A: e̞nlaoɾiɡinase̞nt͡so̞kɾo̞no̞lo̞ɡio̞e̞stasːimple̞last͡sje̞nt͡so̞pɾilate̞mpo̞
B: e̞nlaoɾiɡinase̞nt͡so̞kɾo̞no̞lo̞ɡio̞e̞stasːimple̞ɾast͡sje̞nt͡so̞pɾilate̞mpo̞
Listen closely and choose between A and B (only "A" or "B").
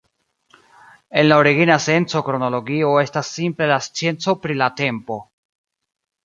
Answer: A